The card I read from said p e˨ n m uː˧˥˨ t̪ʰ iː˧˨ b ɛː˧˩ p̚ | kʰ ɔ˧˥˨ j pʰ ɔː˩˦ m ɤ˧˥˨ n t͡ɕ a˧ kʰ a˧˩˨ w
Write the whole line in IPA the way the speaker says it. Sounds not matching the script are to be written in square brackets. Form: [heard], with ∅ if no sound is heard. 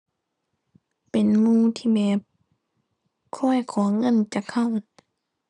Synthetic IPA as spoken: p e˨ n m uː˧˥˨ t̪ʰ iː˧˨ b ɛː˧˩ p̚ | kʰ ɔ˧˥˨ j [kʰ] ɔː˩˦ [ŋ] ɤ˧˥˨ n t͡ɕ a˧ kʰ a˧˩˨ w